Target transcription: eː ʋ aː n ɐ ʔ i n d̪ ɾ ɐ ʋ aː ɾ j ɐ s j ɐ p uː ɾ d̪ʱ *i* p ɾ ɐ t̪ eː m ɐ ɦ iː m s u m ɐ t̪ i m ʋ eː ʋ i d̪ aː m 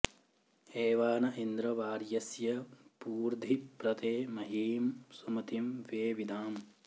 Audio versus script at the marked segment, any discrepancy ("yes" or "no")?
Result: no